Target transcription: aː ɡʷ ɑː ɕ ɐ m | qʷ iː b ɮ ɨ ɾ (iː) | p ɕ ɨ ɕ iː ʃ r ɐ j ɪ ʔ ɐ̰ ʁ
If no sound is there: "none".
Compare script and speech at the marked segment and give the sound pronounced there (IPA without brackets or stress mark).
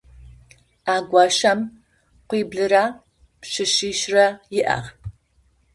aː